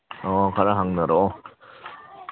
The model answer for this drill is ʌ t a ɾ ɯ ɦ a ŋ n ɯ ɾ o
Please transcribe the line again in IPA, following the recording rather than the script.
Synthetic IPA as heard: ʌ k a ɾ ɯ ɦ a ŋ n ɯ ɾ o